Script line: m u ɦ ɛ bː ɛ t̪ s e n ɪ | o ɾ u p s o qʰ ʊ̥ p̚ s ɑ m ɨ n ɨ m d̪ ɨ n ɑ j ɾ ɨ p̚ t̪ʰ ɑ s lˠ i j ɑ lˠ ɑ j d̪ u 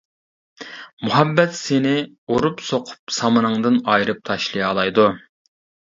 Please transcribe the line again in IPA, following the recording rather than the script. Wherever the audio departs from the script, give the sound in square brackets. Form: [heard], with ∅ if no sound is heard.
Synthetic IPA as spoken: m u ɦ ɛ bː ɛ t̪ s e n ɪ | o ɾ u p s o qʰ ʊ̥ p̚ s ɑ m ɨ n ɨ [ŋ] d̪ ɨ n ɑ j ɾ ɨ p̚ t̪ʰ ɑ [ʃ] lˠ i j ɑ lˠ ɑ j d̪ u